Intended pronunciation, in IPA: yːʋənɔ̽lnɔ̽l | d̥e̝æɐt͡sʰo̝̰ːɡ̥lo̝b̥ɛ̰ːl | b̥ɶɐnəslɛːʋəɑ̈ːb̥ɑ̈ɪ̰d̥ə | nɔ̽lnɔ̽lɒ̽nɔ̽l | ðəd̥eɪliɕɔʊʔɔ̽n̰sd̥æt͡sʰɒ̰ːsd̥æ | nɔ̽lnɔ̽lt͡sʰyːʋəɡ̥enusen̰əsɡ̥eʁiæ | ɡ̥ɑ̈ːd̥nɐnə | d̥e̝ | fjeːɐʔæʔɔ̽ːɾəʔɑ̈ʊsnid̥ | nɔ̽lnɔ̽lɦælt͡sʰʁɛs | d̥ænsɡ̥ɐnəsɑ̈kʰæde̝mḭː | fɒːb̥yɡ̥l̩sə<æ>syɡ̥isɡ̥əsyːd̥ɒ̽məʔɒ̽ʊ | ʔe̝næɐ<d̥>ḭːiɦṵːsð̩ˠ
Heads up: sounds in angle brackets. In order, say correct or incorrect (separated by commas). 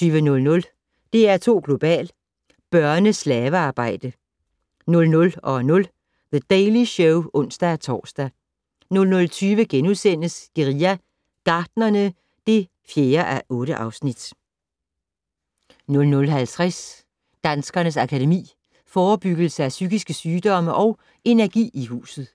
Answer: correct, incorrect